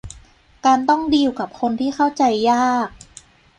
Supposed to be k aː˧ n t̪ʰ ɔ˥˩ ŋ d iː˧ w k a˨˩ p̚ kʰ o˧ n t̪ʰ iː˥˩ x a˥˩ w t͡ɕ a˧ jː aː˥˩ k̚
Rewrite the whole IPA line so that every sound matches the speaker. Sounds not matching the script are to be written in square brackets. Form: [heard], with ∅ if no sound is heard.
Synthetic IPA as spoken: k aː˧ n [t̪] ɔ˥˩ ŋ d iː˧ w k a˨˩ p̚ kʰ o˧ n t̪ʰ iː˥˩ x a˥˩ w t͡ɕ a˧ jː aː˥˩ k̚